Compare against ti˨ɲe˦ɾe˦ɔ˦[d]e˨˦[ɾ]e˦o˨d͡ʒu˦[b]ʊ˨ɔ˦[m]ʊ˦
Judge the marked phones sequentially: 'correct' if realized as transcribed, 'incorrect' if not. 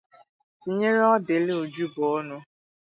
correct, incorrect: l, correct, incorrect: n

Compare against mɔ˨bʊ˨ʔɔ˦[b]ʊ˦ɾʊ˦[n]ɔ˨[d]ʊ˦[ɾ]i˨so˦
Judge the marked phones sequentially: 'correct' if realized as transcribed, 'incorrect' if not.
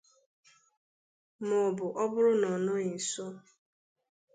correct, correct, incorrect: n, incorrect: none

